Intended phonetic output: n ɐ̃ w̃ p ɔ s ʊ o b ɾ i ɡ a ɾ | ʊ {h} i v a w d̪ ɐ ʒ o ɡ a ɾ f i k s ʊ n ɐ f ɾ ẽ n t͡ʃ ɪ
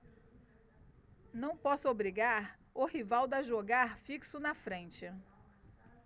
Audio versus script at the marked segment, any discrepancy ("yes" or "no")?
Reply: no